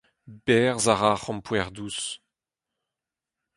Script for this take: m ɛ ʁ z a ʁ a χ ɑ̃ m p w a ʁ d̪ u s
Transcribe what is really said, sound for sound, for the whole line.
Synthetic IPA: b ɛ ʁ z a ʁ a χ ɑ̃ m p w ɛ ʁ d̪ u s